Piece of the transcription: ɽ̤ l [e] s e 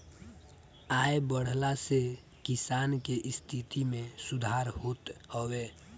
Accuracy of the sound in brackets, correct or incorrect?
incorrect